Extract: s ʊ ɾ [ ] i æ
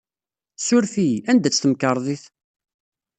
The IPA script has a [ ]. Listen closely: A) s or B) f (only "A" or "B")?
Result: B